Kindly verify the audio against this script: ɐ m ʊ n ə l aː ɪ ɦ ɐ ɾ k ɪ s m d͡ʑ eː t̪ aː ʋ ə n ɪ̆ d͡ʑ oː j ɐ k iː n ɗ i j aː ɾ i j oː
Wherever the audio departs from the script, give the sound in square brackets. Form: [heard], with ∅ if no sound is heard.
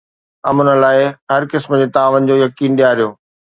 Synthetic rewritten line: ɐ m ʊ n ə l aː ɪ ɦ ɐ ɾ k ɪ s m d͡ʑ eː t̪ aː ʋ ə n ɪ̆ d͡ʑ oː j ɐ k iː n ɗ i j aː ɾ i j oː